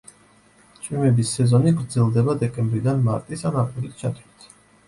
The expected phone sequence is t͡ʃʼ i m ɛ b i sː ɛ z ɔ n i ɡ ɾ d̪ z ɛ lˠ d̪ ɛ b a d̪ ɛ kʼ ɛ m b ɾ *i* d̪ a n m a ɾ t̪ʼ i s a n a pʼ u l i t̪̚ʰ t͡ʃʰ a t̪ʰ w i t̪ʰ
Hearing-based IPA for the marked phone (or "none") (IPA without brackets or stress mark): i